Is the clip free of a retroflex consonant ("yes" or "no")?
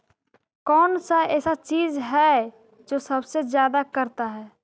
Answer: yes